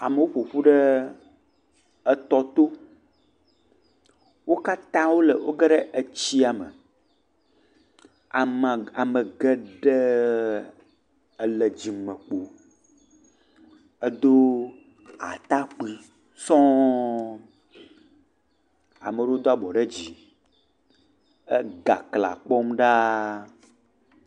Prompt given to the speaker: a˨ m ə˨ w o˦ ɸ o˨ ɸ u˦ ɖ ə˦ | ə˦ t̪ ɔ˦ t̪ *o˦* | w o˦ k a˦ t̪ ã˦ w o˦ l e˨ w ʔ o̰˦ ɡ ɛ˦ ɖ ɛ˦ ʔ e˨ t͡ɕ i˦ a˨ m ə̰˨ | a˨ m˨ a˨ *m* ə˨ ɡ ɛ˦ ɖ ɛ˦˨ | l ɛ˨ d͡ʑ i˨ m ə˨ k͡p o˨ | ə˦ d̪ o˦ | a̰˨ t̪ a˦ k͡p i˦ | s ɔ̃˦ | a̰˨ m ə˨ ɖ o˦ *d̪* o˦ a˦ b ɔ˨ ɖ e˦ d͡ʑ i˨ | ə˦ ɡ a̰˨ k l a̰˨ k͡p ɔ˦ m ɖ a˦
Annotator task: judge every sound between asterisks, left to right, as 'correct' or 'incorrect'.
correct, correct, correct

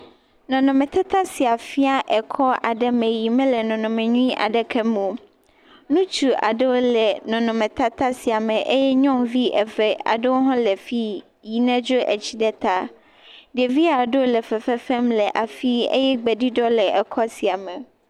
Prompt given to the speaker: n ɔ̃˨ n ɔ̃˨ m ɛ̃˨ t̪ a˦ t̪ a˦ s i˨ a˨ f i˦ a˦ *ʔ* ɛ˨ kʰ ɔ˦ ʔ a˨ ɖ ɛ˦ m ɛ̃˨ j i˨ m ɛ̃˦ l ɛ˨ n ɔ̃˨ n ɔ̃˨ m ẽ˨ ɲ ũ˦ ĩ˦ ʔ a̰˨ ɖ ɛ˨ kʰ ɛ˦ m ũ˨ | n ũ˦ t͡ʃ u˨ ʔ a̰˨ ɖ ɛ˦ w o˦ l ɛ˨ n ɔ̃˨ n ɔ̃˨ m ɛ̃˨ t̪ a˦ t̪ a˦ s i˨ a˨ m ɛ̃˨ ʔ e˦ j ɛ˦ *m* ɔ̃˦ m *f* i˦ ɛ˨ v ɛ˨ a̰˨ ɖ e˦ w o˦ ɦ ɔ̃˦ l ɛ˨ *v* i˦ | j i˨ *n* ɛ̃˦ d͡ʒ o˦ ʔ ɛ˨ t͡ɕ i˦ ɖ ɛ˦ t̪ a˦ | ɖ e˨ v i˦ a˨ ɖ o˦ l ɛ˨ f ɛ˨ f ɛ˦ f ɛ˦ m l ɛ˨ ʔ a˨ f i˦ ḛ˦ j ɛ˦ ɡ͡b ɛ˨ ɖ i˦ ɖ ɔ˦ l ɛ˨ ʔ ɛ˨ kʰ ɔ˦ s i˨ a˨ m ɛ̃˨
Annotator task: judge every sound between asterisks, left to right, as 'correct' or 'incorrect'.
correct, incorrect: ɲ, incorrect: v, incorrect: f, correct

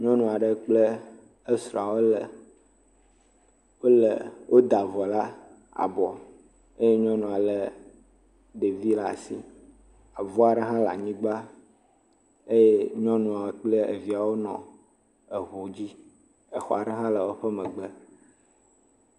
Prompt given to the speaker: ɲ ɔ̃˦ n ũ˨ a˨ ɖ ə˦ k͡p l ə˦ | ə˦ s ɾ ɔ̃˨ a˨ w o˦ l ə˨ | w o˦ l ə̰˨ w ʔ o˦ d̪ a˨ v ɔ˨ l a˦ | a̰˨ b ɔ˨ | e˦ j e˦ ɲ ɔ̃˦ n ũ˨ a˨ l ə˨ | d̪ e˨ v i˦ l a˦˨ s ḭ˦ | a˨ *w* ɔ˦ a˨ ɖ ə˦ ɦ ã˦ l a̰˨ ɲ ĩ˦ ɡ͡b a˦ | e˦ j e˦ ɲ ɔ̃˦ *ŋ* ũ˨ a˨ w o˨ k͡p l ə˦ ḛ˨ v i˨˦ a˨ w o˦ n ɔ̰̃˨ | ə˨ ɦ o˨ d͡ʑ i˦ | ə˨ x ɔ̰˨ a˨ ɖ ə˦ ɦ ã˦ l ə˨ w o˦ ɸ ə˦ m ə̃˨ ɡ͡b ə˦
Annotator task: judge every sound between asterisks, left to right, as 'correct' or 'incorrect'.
incorrect: v, incorrect: n

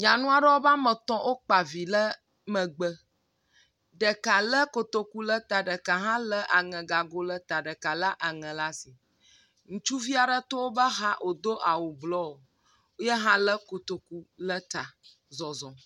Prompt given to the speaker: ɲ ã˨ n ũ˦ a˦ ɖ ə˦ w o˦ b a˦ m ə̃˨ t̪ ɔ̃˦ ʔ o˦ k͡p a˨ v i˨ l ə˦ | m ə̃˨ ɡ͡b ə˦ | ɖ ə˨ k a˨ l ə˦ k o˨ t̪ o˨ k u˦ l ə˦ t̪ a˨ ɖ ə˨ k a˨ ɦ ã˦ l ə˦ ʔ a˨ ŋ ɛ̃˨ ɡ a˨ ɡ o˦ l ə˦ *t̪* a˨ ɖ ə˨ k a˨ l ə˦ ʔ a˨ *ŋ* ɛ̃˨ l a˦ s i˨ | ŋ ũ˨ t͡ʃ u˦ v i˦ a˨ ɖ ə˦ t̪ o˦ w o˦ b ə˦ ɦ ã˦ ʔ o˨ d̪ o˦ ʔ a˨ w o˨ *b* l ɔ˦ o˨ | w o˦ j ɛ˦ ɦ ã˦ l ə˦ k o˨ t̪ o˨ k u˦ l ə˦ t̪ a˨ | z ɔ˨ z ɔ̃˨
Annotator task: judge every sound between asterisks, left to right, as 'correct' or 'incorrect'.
correct, correct, correct

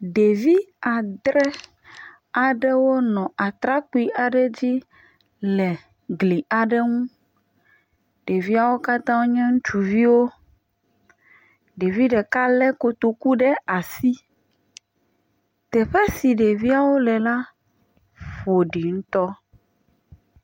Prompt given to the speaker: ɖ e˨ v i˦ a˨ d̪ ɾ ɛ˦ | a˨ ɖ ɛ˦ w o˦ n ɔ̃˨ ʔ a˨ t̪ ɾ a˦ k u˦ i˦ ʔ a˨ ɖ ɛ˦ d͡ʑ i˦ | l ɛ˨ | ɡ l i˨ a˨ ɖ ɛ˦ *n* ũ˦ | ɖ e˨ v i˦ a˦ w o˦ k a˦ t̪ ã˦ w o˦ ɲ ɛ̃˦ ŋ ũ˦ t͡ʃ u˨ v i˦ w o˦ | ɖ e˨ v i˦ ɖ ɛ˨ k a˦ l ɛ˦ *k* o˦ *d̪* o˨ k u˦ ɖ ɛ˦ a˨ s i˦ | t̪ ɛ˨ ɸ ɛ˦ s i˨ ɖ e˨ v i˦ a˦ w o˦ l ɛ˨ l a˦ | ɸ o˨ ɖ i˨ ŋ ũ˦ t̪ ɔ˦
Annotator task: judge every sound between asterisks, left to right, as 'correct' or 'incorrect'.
incorrect: ŋ, correct, incorrect: t̪

